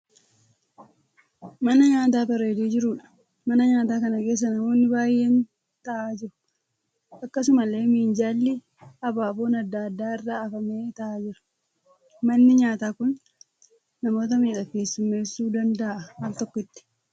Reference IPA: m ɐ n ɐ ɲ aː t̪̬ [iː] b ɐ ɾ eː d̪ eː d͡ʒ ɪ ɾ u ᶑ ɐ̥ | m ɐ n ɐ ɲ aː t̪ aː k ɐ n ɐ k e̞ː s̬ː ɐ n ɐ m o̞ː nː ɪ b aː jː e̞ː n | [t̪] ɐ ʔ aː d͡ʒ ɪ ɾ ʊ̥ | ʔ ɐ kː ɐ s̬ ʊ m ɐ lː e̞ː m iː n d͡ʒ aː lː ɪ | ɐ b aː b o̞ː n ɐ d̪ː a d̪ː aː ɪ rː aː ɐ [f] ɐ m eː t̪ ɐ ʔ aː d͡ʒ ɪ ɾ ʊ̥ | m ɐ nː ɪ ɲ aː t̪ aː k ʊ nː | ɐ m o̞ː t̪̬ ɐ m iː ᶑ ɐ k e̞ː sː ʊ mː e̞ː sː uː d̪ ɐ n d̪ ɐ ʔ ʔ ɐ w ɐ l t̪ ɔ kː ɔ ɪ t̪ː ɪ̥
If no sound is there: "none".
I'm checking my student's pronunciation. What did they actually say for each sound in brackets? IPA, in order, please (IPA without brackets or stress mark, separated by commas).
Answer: aː, t̪, f